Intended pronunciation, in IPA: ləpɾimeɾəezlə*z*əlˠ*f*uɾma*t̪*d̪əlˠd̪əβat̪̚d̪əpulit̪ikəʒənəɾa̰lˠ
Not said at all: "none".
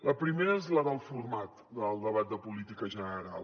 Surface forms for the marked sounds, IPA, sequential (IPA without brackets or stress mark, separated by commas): ð, f, t̪